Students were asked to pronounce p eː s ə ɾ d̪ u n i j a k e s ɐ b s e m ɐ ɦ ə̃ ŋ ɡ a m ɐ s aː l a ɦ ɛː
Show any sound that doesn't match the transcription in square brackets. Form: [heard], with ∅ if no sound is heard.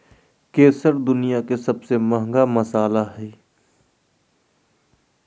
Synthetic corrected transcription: [k] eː s ə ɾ d̪ [ʊ] n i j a k e s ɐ b s e m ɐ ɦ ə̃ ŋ ɡ a m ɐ s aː l a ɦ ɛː